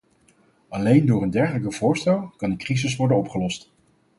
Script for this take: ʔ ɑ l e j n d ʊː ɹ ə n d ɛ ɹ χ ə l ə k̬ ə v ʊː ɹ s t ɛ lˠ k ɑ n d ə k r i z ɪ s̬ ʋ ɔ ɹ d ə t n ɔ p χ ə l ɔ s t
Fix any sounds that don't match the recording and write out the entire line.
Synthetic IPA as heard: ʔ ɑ l e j n d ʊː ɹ ə n d ɛ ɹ χ ə l ə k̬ ə v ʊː ɹ s t ɛ lˠ k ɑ n d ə k r i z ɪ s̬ ʋ ɔ ɹ d ə n ɔ p χ ə l ɔ s t